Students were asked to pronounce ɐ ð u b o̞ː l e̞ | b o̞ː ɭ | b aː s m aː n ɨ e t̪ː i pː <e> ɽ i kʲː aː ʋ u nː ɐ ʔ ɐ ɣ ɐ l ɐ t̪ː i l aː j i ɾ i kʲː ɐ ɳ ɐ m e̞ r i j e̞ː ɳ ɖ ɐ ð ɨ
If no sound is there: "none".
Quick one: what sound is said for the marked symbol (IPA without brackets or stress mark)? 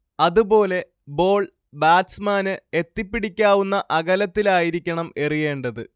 i